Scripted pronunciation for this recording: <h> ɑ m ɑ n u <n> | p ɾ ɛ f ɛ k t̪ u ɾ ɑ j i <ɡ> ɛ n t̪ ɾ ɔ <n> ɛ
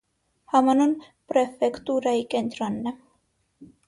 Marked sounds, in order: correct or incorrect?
correct, correct, incorrect, incorrect

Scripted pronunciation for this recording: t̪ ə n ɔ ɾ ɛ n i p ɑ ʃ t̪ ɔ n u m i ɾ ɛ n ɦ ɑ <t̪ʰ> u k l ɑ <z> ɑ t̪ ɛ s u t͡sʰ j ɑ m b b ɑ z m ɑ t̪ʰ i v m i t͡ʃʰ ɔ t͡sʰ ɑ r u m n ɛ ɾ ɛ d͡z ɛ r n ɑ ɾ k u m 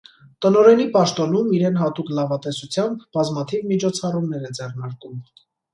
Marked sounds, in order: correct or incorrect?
incorrect, incorrect

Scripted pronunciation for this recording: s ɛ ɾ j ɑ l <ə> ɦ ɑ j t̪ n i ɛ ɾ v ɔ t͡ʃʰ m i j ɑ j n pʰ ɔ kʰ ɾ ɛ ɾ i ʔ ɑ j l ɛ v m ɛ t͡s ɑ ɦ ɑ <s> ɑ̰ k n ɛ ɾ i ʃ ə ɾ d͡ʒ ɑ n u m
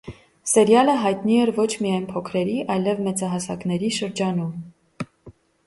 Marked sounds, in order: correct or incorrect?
correct, correct

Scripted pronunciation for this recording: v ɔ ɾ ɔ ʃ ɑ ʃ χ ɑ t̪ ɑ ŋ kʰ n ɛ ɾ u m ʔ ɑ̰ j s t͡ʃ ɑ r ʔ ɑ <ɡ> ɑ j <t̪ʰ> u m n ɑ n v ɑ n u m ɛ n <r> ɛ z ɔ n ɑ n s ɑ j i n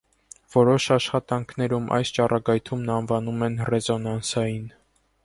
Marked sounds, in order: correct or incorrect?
correct, correct, correct

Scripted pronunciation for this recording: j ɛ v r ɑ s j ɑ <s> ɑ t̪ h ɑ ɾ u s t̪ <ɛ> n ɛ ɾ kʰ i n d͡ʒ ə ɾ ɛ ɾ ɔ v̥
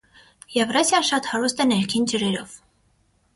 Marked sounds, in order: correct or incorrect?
incorrect, correct

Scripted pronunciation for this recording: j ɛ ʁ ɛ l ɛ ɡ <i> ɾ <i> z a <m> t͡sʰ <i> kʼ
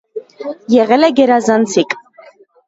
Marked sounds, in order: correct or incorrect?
incorrect, incorrect, incorrect, correct

